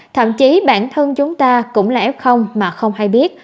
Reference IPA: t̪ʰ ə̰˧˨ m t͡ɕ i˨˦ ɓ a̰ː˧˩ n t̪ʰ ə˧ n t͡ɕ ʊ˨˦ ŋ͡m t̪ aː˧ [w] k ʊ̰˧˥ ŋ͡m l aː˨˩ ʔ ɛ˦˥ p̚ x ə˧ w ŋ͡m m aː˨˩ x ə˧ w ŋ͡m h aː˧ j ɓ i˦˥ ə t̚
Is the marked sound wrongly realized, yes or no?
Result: yes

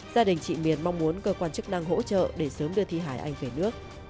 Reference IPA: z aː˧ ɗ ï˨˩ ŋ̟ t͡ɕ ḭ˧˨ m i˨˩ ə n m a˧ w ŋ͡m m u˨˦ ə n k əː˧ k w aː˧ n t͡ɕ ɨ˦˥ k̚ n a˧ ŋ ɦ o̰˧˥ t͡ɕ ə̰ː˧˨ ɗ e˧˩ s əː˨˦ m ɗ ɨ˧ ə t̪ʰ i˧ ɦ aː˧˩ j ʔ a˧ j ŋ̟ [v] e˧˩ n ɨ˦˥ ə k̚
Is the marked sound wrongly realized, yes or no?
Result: no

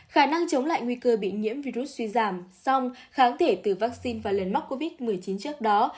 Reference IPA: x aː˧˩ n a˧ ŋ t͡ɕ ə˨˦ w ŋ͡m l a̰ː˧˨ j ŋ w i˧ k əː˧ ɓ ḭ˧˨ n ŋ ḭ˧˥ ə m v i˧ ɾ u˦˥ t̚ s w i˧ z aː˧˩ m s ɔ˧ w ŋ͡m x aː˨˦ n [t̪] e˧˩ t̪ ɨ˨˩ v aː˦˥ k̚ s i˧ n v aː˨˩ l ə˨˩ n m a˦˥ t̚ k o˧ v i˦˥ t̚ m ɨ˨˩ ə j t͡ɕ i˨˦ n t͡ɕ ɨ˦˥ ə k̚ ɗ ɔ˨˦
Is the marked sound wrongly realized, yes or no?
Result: yes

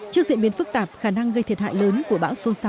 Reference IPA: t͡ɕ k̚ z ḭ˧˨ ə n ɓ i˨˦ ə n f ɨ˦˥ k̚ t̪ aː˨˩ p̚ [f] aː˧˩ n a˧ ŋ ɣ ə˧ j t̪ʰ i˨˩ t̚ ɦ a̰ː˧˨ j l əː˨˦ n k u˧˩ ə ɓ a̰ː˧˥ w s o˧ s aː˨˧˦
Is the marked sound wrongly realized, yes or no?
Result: yes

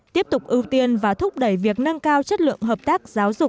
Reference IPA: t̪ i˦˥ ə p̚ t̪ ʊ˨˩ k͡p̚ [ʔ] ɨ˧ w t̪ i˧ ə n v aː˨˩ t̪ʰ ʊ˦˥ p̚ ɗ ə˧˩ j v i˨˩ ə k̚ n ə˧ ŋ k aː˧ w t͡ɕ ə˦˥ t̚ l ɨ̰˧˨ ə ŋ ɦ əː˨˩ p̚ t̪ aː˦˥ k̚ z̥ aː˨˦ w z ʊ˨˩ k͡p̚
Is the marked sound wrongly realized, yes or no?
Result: no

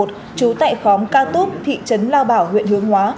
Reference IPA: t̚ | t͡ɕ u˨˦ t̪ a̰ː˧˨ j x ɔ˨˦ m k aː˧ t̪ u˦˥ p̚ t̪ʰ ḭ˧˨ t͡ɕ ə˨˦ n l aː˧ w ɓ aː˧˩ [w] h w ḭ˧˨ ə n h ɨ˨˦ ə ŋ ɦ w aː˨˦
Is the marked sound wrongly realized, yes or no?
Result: no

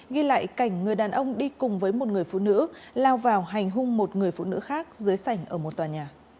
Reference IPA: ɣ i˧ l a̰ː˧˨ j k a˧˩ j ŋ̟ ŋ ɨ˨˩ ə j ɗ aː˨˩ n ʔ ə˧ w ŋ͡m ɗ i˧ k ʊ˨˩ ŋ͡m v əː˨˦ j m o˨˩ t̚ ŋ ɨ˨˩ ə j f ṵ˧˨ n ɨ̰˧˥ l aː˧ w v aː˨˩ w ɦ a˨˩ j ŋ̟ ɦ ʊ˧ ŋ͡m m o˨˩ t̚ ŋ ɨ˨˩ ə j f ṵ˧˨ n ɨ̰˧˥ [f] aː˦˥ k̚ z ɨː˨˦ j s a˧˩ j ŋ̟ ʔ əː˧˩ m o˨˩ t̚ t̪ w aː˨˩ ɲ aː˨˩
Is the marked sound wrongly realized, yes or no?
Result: yes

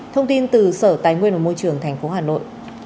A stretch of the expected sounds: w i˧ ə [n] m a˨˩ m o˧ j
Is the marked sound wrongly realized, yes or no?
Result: no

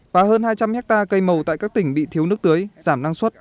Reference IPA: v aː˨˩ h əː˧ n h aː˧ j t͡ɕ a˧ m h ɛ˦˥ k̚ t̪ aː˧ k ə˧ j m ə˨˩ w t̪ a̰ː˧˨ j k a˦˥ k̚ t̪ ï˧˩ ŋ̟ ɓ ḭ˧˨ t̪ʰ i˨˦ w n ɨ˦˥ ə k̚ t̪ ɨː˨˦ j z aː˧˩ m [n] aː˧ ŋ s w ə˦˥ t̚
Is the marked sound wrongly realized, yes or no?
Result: no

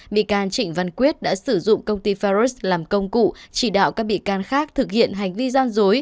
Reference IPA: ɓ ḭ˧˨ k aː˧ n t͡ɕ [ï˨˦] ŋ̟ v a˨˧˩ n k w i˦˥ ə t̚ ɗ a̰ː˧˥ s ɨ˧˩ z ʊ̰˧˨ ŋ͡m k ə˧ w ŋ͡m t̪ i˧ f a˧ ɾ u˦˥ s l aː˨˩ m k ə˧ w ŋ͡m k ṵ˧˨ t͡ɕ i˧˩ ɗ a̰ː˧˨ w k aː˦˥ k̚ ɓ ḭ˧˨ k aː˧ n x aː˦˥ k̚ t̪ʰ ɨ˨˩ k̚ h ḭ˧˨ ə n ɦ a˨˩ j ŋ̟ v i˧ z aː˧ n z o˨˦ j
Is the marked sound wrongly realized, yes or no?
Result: yes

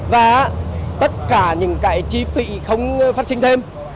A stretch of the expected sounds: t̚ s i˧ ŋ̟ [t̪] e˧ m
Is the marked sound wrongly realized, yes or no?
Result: yes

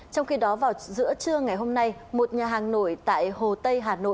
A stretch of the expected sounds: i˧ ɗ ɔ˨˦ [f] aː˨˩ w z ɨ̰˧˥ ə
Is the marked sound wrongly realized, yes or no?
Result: yes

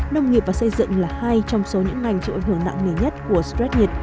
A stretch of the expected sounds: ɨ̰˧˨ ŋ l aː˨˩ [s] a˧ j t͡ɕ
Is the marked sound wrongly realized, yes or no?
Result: yes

